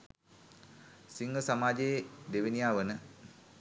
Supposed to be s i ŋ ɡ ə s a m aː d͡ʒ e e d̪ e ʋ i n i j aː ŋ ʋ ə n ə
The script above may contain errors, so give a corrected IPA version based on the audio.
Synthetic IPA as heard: s i ŋ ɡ ə s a m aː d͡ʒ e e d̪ e ʋ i n i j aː ʋ ə n ə